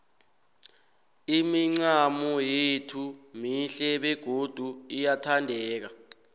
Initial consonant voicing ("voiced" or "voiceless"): voiced